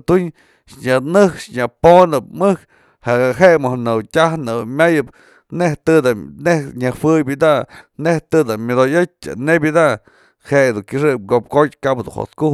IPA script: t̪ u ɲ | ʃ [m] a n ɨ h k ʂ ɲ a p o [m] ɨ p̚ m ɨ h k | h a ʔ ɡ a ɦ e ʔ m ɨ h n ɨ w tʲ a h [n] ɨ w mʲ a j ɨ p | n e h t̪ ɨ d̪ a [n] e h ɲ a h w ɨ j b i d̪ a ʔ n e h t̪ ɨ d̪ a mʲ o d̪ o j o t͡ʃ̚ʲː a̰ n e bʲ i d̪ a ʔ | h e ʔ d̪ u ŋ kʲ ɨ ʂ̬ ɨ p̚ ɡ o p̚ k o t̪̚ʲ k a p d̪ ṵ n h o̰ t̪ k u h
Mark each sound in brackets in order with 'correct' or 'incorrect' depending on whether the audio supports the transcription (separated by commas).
incorrect, incorrect, correct, correct